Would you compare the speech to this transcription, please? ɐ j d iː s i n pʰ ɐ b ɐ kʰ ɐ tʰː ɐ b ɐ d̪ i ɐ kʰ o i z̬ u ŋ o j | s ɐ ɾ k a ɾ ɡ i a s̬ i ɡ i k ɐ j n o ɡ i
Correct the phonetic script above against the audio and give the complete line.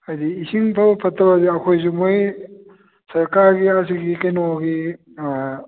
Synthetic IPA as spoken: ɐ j d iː s i ŋ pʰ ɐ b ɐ pʰ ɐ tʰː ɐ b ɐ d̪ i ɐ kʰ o j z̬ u m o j | s ɐ ɾ k a ɾ ɡ i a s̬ i ɡ i k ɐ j n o ɡ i